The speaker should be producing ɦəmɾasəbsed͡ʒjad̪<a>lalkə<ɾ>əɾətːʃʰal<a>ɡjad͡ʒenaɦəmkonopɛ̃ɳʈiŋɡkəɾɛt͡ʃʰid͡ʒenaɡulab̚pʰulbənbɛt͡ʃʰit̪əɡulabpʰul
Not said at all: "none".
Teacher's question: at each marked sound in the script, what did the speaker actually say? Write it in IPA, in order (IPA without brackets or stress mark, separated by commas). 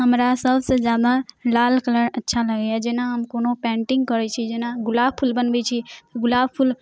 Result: a, l, ə